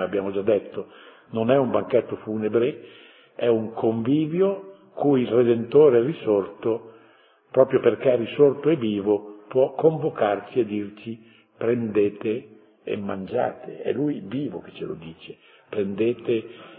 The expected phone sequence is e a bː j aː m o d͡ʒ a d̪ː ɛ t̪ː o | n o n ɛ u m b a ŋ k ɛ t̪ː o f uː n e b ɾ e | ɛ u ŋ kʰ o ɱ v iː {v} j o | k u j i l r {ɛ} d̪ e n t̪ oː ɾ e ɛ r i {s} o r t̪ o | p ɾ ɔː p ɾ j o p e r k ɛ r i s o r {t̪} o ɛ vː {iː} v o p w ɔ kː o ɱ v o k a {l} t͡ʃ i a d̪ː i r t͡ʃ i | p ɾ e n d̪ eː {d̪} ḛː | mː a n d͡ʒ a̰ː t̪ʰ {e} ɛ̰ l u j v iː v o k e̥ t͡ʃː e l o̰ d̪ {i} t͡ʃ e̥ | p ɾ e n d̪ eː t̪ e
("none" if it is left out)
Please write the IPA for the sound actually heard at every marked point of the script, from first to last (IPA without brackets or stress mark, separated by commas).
v, e, s, t̪, iː, r, t̪, e, iː